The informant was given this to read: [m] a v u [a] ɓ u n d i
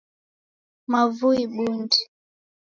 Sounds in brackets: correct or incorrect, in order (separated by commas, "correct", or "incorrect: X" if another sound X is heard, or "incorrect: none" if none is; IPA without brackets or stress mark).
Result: correct, incorrect: i